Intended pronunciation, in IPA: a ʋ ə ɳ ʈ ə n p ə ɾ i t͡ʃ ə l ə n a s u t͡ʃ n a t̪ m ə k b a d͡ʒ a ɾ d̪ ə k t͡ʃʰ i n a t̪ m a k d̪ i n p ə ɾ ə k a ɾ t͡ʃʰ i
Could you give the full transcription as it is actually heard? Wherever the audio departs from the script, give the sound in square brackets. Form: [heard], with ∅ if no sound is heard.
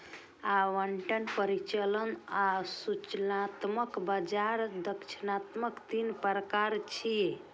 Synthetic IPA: a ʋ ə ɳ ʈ ə n p ə ɾ i t͡ʃ ə l ə n a s u t͡ʃ n a t̪ m ə k b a d͡ʒ a ɾ d̪ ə k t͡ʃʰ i n a t̪ m [ə] k [t̪] i n p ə ɾ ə k a ɾ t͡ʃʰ i